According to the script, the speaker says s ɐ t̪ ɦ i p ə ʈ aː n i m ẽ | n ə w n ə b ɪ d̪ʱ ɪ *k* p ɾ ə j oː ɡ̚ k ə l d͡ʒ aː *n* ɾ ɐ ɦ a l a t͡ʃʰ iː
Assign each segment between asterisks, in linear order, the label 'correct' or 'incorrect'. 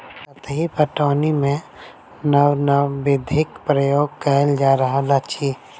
correct, incorrect: none

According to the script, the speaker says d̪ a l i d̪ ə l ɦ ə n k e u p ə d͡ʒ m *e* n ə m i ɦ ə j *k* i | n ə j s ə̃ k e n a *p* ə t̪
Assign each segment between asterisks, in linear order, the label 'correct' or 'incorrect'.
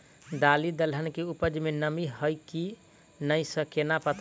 correct, correct, correct

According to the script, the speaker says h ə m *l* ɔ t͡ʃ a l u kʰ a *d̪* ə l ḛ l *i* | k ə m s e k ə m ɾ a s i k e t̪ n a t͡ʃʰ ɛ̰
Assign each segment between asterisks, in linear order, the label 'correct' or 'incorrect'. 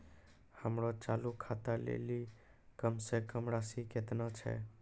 incorrect: ɾ, incorrect: t̪, correct

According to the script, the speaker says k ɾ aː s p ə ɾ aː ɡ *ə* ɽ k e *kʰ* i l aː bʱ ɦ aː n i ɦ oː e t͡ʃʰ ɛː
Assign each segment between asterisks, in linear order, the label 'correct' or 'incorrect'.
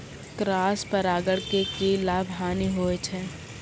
correct, incorrect: k

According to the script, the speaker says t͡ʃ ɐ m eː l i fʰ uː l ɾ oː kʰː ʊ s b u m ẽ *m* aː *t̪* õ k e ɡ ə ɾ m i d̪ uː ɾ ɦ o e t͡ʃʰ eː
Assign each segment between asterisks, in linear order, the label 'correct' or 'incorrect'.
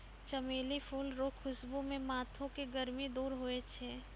correct, incorrect: t̪ʰ

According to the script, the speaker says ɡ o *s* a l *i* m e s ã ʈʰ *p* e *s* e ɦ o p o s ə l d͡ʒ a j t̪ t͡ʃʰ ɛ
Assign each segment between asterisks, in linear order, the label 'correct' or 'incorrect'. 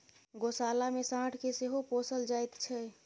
correct, incorrect: a, incorrect: k, correct

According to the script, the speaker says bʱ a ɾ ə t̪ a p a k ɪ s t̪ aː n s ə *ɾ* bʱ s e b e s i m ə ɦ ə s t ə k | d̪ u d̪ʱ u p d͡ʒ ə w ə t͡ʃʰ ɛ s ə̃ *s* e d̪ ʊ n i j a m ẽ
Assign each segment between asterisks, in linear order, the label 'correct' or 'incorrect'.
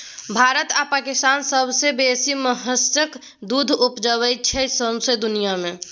incorrect: none, correct

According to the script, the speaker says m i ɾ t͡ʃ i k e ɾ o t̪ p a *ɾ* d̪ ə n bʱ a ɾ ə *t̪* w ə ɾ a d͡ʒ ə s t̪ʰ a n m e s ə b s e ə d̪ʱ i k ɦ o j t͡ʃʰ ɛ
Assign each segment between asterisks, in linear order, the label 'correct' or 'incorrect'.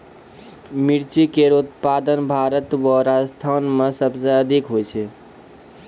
incorrect: none, correct

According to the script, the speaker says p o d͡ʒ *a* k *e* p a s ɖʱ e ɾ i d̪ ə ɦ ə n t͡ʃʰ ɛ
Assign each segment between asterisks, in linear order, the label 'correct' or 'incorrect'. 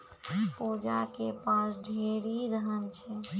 correct, correct

